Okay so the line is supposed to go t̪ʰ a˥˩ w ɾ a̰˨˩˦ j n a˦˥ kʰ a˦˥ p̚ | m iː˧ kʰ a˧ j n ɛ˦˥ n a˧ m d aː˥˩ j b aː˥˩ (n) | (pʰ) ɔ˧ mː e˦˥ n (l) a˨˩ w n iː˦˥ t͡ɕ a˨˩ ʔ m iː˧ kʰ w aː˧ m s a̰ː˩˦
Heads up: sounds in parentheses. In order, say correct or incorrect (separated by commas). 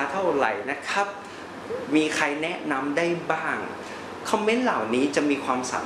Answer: incorrect, incorrect, correct